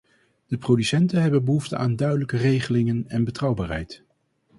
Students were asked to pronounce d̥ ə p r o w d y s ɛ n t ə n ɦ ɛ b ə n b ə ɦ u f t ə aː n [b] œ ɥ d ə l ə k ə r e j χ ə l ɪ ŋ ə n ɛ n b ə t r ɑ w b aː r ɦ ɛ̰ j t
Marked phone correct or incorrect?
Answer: incorrect